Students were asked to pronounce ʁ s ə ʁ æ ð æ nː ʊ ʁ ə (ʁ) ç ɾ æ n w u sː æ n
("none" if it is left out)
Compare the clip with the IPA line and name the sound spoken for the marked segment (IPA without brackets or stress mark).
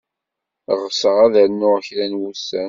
none